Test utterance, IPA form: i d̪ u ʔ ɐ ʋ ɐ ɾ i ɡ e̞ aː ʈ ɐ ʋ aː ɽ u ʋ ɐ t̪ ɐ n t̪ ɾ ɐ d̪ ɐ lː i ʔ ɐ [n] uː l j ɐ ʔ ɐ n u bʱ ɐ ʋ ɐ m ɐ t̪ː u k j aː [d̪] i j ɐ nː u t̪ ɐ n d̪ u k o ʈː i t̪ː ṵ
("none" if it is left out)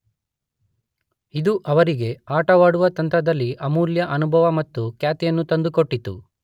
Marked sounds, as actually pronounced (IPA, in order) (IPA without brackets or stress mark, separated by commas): m, t̪